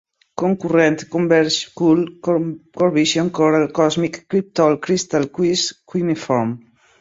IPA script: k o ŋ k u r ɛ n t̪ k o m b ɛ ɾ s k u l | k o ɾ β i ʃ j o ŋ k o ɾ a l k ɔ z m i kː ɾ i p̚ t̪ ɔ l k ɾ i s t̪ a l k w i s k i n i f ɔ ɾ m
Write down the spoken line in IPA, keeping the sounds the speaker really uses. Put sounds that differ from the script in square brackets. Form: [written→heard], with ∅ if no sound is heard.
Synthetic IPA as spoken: k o ŋ k u r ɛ n t̪ k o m b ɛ ɾ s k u l | k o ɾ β i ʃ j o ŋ k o ɾ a l k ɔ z m i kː ɾ i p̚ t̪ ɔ l k ɾ i s t̪ a l k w i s k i n i f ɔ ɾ m